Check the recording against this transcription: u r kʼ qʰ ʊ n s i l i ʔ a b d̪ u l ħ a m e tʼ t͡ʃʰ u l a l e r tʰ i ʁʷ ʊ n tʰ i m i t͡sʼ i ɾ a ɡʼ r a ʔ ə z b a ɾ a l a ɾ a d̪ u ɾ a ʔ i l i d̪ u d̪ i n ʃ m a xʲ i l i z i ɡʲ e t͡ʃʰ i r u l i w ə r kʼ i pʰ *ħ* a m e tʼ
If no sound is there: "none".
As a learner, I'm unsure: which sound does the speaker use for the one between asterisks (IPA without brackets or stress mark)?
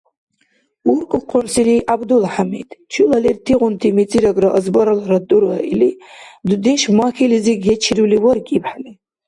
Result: ħ